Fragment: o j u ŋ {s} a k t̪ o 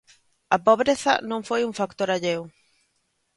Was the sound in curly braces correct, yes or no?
no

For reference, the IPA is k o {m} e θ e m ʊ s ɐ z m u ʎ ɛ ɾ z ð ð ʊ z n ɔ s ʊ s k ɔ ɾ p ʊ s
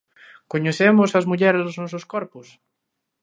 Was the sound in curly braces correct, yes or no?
no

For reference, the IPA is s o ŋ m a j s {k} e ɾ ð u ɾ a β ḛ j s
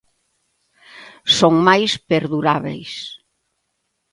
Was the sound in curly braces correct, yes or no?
no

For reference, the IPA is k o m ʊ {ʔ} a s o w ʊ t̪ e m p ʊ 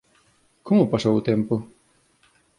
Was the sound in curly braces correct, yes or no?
no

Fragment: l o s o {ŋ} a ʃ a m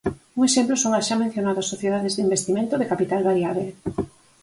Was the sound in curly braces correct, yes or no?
yes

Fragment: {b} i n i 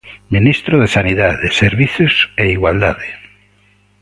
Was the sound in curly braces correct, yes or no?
no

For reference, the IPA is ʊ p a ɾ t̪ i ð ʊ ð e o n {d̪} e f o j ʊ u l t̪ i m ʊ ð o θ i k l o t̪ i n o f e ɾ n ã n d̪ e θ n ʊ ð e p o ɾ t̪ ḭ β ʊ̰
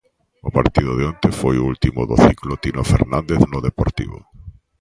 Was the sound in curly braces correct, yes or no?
no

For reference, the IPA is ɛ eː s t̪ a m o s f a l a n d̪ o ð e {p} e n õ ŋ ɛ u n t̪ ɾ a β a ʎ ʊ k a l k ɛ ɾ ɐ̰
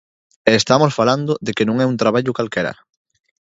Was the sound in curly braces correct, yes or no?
no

